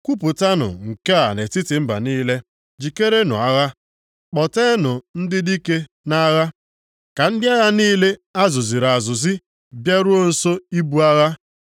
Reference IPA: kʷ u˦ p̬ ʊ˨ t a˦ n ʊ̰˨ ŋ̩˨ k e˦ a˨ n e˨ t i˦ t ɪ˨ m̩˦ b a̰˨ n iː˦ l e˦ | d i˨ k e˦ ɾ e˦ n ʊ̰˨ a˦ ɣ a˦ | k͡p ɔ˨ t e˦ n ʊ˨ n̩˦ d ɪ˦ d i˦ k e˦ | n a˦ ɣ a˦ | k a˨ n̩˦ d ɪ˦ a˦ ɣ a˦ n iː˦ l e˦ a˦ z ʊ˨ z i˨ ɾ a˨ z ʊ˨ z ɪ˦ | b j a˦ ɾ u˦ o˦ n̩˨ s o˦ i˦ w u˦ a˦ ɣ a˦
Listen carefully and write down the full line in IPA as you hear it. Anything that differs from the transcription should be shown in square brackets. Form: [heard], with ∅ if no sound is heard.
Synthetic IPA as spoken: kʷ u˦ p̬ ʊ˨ t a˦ n ʊ̰˨ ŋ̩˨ k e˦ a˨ n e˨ t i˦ t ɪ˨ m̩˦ b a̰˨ n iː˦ l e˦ | [d͡ʒ] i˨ k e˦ ɾ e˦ n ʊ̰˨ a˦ ɣ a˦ | k͡p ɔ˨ t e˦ n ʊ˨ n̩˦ d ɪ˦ d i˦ k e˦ | n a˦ ɣ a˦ | k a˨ n̩˦ d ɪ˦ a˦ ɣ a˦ n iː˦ l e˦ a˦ z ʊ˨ z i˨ ɾ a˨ z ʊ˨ z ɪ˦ | b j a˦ ɾ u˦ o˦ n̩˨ s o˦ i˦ [b] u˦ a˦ ɣ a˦